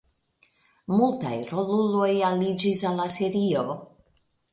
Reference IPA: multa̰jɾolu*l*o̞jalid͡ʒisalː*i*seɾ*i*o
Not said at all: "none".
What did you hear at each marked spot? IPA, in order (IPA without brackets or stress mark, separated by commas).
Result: l, a, i